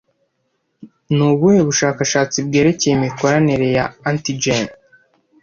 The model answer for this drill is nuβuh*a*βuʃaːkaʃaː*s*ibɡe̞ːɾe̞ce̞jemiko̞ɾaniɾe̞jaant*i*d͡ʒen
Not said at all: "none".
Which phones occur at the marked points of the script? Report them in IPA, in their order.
e, t͡s, i

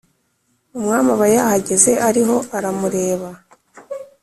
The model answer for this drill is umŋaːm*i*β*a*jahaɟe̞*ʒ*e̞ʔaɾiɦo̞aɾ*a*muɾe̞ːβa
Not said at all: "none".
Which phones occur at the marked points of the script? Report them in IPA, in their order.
a, a, z, a

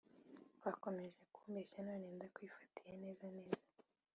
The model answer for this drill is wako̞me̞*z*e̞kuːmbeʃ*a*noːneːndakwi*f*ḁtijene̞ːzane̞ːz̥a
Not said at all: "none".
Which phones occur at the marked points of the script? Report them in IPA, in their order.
ʒ, a, f

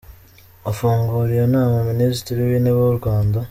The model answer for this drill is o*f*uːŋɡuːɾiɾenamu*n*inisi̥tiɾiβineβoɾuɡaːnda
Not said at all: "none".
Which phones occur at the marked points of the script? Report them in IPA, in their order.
f, m

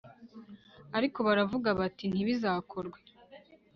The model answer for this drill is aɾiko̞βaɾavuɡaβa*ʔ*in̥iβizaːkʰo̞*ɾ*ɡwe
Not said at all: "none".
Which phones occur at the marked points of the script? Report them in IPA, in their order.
t, ɾ

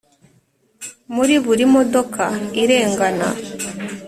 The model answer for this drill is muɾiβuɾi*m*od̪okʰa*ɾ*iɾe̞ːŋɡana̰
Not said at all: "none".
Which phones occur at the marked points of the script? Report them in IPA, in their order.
m, none

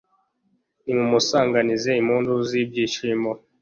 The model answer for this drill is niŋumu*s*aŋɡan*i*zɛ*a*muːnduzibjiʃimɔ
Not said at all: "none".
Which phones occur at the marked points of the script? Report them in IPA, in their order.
s, i, i

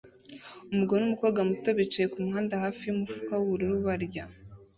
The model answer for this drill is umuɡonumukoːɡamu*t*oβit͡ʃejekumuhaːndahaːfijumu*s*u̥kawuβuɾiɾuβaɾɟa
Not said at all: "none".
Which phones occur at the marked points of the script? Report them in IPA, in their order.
t, f

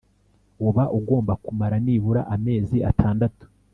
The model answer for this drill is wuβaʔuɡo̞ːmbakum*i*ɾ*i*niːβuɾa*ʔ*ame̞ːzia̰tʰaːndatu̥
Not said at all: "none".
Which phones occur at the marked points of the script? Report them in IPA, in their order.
a, a, ʔ

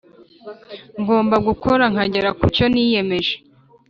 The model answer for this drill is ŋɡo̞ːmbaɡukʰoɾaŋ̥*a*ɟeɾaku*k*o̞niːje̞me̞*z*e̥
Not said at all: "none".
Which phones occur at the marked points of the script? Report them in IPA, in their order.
a, c, ʒ

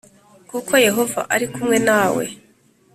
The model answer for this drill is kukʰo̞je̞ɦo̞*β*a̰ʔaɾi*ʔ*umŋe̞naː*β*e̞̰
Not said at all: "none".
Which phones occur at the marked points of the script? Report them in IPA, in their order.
v, k, w

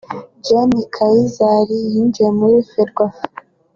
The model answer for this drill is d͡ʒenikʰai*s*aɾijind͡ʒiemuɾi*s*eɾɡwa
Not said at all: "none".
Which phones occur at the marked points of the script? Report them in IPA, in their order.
z, f

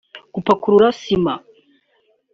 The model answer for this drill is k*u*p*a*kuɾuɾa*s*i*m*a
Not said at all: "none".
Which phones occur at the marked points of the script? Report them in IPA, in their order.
u, a, s, m

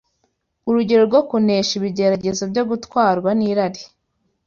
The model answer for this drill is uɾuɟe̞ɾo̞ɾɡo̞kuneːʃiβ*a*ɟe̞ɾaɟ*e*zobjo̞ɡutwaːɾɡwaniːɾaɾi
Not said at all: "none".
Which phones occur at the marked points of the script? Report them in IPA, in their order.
i, e

